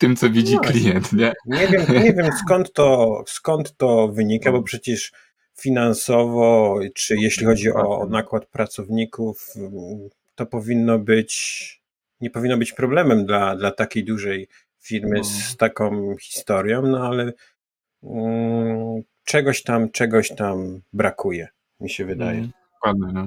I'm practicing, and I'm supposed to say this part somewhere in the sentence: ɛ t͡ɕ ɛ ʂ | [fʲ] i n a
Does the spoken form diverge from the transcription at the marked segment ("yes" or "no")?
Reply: no